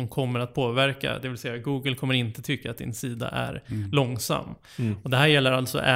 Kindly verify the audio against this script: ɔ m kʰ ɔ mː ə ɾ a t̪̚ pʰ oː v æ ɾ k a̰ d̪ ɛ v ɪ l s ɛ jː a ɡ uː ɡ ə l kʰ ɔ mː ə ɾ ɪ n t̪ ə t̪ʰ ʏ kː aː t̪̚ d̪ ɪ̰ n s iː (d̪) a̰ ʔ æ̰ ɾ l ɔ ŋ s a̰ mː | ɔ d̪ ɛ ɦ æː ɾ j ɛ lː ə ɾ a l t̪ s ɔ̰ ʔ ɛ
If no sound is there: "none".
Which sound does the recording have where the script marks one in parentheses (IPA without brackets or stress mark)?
d̪